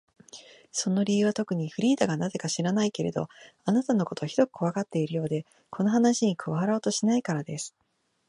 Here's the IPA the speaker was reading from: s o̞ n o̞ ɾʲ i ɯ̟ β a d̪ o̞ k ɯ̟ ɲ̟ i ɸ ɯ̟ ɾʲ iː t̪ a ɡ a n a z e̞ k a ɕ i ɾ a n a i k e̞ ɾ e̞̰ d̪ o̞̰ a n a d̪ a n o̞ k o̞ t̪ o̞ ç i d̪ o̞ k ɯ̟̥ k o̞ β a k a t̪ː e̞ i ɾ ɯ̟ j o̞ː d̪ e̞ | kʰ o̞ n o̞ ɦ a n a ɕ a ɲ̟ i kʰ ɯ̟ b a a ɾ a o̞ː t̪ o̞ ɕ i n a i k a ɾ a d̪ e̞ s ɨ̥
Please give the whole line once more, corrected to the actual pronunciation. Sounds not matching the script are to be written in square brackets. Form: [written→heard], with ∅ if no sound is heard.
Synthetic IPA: s o̞ n o̞ ɾʲ i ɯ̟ β a [d̪→t̪] o̞ k ɯ̟ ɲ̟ i ɸ ɯ̟ ɾʲ iː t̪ a ɡ a n a z e̞ k a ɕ i ɾ a n a i k e̞ ɾ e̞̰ d̪ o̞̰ a n a [d̪→t̪] a n o̞ k o̞ t̪ o̞ ç i d̪ o̞ k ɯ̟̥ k o̞ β a k a t̪ː e̞ i ɾ ɯ̟ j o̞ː d̪ e̞ | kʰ o̞ n o̞ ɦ a n a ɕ [a→i] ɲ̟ i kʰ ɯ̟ [b→β] a a ɾ a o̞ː t̪ o̞ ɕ i n a i k a ɾ a d̪ e̞ s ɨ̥